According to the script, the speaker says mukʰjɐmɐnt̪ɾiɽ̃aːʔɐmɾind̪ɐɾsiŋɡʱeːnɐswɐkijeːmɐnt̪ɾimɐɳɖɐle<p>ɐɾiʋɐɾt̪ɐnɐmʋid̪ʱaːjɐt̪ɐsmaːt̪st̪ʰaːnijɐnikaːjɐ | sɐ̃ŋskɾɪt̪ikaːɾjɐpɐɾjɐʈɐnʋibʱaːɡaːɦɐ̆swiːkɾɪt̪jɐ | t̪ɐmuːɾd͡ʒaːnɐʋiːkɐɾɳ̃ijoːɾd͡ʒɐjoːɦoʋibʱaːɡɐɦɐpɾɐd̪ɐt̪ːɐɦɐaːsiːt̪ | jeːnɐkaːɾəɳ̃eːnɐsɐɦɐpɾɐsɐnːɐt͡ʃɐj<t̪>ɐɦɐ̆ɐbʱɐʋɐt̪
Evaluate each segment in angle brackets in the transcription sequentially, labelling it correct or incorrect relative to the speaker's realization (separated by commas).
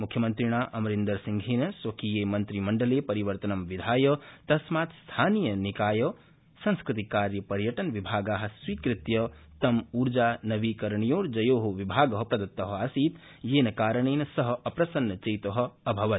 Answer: correct, correct